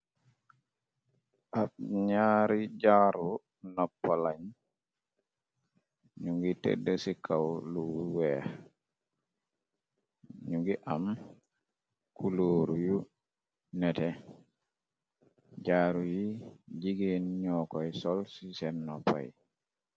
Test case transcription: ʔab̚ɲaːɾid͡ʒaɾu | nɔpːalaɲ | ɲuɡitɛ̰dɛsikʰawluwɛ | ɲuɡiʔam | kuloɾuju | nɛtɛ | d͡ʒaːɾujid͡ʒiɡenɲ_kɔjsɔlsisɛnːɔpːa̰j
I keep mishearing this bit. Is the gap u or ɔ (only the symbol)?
ɔ